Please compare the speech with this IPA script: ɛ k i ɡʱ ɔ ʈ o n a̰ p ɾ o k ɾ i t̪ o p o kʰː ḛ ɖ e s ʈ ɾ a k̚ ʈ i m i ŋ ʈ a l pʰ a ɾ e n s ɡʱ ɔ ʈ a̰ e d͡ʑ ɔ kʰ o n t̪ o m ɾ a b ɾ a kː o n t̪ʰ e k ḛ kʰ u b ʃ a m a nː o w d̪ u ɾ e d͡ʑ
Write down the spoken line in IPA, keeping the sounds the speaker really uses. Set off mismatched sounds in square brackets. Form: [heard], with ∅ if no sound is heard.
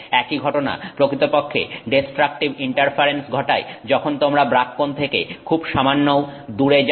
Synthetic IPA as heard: ɛ k i ɡʱ ɔ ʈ o n a̰ p ɾ o k ɾ i t̪ o p o kʰː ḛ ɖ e s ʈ ɾ a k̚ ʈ i [b] i [ɳ] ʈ a [ɾ] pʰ a ɾ e n s ɡʱ ɔ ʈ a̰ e d͡ʑ ɔ kʰ o n t̪ o m ɾ a b ɾ a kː o n t̪ʰ e k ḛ kʰ u b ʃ a m a nː o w d̪ u ɾ e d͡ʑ